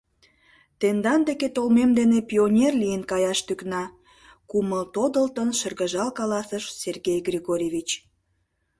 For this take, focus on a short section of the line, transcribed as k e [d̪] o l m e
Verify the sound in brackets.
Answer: incorrect: t̪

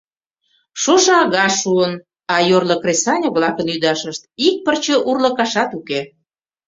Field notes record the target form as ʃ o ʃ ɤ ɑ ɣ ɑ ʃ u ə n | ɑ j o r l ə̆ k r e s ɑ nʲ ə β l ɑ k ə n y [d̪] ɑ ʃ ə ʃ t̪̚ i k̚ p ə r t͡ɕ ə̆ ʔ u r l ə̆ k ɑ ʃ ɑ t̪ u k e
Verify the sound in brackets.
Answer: correct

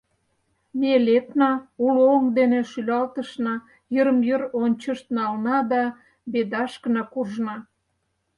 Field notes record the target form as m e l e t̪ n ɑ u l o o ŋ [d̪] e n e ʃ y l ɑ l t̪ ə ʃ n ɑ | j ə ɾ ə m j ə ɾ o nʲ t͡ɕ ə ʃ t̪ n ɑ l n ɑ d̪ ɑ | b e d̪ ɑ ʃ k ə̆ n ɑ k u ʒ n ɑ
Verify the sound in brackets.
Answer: correct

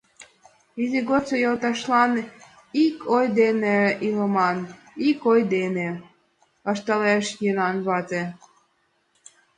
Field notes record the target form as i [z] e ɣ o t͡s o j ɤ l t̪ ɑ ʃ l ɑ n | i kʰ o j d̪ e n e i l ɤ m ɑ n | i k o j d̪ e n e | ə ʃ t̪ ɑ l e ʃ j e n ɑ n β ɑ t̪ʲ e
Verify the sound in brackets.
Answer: correct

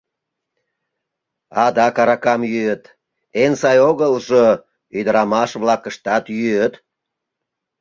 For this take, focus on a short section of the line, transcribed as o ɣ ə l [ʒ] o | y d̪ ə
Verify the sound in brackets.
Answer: correct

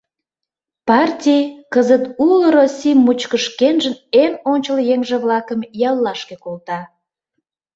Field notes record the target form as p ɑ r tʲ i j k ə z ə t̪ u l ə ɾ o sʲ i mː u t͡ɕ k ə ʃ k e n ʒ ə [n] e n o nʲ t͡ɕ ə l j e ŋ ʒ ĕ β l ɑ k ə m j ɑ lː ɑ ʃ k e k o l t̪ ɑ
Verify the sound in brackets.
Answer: correct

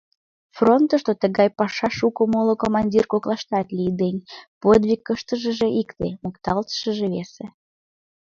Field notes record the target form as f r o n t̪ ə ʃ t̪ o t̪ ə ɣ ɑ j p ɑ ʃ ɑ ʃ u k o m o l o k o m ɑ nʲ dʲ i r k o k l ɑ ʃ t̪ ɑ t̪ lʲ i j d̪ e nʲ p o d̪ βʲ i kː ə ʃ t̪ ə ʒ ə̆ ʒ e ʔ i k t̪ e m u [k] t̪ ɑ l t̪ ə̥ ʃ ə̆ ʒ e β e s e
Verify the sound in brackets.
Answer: correct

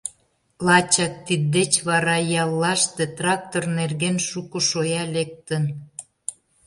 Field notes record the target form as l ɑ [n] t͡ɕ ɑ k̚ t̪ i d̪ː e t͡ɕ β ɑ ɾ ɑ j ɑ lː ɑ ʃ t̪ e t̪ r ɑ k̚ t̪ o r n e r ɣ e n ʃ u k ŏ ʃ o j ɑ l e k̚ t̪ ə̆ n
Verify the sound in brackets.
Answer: incorrect: none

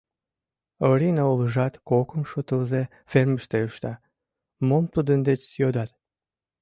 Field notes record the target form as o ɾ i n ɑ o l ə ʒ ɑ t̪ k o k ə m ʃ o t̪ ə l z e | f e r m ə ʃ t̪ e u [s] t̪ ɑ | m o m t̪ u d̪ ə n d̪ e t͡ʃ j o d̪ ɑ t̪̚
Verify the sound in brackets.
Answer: incorrect: ʃ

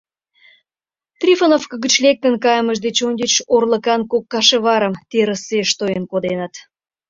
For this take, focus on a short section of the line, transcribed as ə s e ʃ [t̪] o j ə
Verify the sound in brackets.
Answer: correct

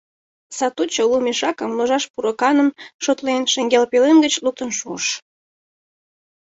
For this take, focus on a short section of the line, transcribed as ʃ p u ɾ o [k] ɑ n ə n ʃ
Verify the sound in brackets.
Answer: correct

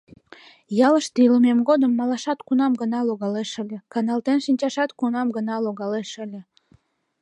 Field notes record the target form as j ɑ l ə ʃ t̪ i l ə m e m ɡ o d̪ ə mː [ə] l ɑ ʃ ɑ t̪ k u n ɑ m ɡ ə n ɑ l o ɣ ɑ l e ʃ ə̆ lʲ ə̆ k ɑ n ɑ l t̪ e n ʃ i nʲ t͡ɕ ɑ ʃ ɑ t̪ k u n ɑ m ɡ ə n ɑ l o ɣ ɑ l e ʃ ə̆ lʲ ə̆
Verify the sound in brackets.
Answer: incorrect: ɑ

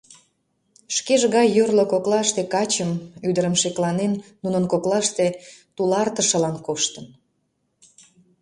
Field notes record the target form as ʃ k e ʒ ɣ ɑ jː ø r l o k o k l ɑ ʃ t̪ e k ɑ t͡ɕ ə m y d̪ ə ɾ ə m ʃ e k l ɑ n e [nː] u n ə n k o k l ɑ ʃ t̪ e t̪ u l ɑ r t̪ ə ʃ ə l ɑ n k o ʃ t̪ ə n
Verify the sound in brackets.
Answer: correct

